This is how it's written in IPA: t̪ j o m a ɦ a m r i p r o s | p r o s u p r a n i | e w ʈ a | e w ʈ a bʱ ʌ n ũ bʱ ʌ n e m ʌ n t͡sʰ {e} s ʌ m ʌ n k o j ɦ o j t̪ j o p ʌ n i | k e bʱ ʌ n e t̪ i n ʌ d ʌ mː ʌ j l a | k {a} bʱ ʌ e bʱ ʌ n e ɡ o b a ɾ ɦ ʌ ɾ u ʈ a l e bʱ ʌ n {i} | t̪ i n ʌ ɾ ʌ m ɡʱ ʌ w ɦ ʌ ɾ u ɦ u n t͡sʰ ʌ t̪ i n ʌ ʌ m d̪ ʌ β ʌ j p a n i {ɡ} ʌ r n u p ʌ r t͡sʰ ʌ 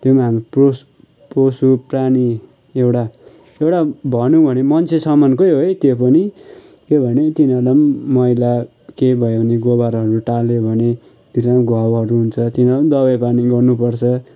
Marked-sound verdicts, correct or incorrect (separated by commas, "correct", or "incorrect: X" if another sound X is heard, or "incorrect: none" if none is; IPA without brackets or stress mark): correct, incorrect: e, incorrect: e, correct